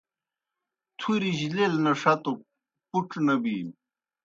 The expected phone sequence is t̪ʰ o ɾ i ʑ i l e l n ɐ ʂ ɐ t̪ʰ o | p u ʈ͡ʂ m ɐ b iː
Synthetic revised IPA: t̪ʰ u ɾ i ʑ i l e l n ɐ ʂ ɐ t̪ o | p u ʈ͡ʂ n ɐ b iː